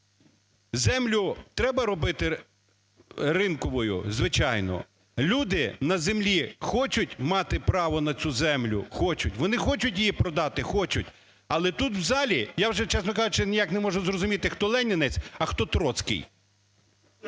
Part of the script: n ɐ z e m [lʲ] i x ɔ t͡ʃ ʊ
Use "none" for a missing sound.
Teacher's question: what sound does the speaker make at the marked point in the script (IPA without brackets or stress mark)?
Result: lʲ